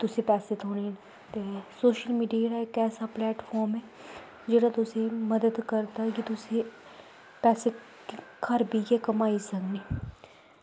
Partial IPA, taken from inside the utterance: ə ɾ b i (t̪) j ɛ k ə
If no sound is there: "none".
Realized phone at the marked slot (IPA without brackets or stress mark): none